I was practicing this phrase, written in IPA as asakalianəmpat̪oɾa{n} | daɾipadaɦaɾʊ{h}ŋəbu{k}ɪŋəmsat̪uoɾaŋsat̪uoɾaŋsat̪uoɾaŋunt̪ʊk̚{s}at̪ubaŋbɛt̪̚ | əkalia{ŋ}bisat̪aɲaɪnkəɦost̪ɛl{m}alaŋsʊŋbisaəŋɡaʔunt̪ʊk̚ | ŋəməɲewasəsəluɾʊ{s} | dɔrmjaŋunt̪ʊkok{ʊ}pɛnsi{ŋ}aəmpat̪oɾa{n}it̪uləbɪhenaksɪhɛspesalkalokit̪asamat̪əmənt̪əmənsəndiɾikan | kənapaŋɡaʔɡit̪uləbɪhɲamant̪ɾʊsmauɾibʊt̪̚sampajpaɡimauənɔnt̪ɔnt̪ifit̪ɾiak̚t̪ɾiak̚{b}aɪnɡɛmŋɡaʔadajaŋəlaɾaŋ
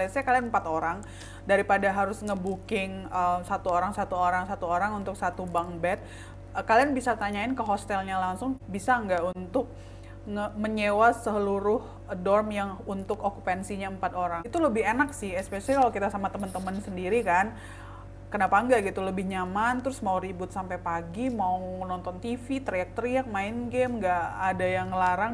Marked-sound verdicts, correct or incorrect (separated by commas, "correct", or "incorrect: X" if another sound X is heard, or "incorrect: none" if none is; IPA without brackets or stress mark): incorrect: ŋ, incorrect: s, correct, correct, incorrect: n, incorrect: ɲ, incorrect: h, incorrect: u, incorrect: ɲ, incorrect: ŋ, incorrect: m